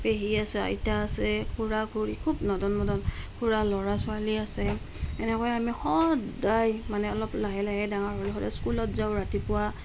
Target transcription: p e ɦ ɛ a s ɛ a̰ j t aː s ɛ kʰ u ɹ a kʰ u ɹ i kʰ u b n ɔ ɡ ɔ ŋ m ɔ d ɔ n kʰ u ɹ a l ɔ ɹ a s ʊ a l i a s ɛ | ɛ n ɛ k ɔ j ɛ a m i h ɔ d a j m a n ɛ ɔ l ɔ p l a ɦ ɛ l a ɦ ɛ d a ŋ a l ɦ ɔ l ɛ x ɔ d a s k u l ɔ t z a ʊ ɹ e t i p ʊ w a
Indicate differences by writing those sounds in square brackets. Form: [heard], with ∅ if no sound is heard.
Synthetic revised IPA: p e ɦ [i] a s ɛ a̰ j t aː s ɛ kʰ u ɹ a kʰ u ɹ i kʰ u b n ɔ [d] ɔ [n] m ɔ d ɔ n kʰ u ɹ a l ɔ ɹ a s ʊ a l i a s ɛ | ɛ n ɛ k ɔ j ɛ a m i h ɔ d a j m a n ɛ ɔ l ɔ p l a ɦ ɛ l a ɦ ɛ d a ŋ a [ɹ] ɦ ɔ l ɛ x ɔ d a s k u l ɔ t z a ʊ ɹ [a] t i p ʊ w a